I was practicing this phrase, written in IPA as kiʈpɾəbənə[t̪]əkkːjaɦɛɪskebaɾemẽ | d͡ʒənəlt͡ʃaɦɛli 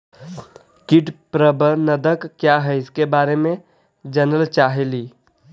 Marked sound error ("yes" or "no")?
yes